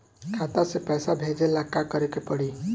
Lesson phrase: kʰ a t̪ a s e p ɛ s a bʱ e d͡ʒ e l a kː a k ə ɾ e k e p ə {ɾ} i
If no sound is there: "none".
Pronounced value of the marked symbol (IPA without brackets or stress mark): ɽ